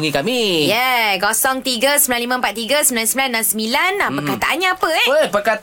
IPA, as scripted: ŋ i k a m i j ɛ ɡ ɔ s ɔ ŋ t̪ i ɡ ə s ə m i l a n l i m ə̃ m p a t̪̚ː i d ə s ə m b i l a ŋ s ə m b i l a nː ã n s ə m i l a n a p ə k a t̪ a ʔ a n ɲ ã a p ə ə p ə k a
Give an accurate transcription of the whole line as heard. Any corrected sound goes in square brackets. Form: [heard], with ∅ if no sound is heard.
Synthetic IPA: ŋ i k a m i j ɛ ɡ ɔ s ɔ ŋ t̪ i ɡ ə s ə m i l a n l i m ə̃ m p a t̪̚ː i [ɡ] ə s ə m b i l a [n] s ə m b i l a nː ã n s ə m i l a n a p ə k a t̪ a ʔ a n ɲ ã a p ə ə p ə k a